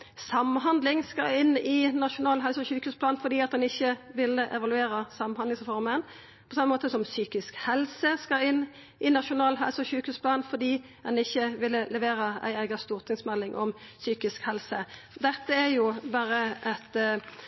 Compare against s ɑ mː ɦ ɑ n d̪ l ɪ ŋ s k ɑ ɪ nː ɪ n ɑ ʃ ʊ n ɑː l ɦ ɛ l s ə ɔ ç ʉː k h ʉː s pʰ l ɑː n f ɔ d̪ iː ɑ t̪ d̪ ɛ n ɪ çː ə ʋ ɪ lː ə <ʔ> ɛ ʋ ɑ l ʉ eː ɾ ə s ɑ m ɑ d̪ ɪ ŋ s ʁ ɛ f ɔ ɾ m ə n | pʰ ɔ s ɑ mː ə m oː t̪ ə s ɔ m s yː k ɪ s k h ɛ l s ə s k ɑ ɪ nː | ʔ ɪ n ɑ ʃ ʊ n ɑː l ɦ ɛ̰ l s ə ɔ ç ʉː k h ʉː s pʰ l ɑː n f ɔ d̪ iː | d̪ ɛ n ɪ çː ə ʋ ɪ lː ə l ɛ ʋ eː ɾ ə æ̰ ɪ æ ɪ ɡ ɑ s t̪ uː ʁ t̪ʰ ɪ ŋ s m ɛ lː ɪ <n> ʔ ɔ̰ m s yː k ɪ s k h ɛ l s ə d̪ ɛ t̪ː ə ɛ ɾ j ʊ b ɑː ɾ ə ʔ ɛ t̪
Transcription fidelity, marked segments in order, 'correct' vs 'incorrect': correct, incorrect: ŋ

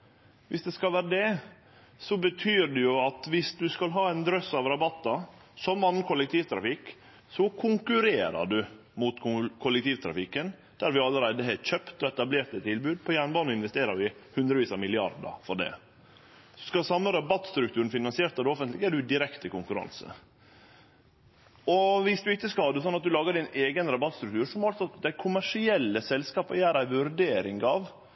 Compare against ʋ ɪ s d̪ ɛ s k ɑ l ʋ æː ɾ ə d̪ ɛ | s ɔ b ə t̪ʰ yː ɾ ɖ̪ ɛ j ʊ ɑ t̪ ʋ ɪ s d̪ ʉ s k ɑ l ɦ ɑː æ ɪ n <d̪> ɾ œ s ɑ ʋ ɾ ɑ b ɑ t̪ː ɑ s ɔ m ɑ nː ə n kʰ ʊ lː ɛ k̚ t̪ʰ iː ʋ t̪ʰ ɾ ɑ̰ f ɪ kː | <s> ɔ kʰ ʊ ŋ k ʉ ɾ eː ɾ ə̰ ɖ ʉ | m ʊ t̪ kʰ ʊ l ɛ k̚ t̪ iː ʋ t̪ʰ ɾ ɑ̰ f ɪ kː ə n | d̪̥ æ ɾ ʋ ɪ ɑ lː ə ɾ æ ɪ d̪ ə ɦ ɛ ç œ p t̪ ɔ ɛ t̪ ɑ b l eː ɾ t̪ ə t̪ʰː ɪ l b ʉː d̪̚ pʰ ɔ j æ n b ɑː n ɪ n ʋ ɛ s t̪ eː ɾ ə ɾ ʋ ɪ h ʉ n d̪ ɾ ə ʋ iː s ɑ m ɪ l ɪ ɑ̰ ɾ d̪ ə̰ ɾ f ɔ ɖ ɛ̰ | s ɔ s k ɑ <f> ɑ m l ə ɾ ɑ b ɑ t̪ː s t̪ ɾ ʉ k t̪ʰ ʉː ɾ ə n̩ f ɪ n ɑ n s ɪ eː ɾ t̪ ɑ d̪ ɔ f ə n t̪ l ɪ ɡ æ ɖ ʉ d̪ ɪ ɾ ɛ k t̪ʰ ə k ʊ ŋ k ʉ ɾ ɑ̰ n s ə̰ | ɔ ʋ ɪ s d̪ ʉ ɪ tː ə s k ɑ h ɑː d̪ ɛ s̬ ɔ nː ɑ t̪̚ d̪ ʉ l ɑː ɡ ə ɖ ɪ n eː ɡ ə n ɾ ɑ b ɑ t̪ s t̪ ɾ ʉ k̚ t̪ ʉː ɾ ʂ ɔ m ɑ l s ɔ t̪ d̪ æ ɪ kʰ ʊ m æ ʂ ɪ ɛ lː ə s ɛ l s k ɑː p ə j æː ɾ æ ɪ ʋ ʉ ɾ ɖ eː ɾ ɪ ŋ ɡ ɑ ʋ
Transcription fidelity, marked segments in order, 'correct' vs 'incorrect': correct, correct, incorrect: s

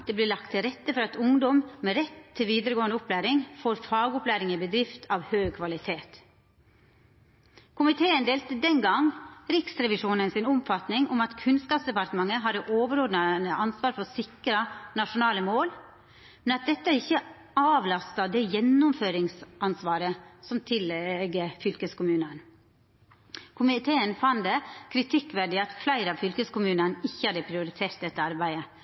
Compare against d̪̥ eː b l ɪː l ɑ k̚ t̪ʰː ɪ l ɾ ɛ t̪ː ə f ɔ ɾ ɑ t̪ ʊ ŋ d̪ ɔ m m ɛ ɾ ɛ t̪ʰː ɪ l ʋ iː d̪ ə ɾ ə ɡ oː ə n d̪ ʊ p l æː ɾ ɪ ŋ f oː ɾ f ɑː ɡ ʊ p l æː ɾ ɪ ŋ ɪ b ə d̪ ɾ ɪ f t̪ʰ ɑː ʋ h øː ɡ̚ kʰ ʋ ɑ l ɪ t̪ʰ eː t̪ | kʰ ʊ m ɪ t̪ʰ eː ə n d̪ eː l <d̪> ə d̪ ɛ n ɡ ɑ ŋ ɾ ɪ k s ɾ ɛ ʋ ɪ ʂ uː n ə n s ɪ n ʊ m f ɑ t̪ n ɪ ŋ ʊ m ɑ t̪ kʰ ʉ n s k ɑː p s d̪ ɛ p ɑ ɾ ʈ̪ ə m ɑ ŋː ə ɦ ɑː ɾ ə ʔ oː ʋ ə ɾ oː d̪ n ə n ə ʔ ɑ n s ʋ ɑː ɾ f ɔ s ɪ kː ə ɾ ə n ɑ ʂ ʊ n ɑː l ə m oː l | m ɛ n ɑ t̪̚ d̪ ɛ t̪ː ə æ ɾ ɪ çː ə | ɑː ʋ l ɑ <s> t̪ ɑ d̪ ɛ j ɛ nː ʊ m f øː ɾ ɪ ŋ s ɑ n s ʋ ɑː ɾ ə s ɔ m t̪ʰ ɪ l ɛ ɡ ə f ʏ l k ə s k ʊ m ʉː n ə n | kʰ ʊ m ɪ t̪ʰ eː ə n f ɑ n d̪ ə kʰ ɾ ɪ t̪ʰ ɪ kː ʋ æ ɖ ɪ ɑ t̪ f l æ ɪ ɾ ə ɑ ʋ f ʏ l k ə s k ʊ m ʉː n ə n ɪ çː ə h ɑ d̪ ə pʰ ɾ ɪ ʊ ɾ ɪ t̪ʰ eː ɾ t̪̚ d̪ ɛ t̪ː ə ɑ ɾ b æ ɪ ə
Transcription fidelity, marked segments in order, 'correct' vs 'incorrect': incorrect: t̪, correct

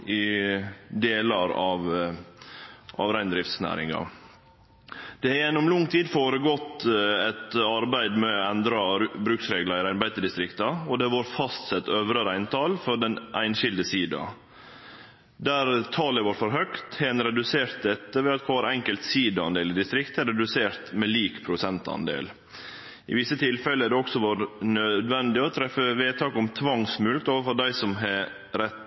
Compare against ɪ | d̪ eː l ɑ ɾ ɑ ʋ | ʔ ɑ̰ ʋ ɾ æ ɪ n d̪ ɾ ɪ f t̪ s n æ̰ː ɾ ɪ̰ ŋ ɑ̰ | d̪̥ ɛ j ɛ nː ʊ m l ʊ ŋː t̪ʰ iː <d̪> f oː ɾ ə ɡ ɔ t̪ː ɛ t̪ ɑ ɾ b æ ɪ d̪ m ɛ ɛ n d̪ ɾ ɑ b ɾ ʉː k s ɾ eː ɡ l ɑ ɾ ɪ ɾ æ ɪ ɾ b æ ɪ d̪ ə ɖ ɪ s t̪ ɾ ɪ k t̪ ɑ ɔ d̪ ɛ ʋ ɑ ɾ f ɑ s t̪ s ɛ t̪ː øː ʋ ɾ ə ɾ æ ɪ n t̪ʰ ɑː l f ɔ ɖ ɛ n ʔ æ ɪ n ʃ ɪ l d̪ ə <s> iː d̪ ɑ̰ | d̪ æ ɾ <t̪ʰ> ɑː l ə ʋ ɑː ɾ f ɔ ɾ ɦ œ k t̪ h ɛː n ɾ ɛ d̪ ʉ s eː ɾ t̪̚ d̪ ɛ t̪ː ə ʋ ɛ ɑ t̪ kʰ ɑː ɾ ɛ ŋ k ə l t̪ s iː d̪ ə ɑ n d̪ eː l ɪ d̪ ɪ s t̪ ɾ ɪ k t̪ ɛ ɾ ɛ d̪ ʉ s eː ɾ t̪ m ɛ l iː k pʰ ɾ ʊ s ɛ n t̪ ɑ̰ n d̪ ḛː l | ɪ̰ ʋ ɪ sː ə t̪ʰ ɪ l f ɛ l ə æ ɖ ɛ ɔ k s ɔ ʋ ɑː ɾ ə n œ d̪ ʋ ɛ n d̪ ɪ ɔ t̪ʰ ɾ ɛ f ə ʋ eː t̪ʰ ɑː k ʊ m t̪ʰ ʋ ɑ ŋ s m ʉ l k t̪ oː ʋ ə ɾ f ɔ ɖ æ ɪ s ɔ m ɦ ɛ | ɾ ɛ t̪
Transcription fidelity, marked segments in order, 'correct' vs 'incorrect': correct, correct, correct

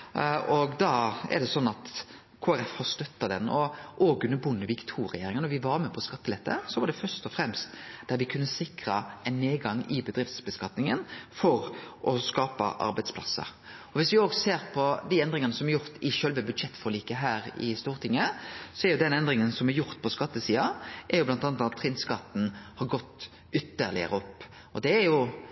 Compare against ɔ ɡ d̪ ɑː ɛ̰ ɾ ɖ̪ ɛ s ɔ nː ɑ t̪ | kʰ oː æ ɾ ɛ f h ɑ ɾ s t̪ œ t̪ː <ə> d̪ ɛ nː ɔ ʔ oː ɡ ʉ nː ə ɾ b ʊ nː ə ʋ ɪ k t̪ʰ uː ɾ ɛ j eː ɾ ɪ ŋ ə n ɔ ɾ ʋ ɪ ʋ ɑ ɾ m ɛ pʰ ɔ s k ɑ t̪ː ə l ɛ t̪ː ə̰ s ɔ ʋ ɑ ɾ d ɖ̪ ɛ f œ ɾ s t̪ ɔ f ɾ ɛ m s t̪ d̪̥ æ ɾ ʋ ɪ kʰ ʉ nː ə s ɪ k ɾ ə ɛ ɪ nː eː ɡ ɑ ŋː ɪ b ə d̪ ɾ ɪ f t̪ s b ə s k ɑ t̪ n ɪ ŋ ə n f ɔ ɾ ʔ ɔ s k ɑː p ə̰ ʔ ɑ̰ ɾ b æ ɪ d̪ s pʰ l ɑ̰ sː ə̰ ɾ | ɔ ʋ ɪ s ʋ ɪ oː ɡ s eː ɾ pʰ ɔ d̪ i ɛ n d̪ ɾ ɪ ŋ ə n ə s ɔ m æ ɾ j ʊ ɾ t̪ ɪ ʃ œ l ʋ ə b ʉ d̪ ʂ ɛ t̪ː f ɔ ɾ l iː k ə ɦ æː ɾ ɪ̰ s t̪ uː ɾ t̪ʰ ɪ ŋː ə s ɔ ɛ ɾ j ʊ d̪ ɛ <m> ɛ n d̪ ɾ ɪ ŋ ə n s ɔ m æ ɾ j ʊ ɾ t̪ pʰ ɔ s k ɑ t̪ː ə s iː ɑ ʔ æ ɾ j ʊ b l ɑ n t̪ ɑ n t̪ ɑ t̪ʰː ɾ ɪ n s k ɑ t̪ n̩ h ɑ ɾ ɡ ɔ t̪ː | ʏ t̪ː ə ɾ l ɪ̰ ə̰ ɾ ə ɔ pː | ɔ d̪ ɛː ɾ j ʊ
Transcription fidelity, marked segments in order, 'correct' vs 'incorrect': incorrect: ɑ, incorrect: n

